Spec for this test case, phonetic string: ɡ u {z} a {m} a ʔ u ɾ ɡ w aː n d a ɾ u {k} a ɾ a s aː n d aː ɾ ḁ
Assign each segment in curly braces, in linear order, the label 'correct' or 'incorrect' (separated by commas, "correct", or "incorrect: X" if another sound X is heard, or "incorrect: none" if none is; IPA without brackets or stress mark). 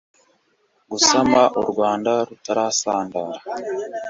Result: incorrect: s, correct, incorrect: t